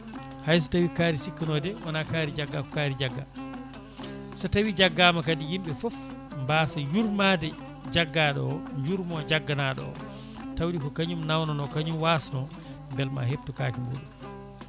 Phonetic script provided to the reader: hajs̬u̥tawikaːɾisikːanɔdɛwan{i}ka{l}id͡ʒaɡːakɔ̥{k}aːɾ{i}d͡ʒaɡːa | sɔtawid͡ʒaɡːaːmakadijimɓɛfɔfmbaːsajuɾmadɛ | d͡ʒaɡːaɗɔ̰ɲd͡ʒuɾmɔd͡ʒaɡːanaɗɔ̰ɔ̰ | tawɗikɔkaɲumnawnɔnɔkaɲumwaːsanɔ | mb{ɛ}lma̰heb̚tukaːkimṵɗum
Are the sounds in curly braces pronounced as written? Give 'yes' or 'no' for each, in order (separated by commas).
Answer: no, no, yes, yes, yes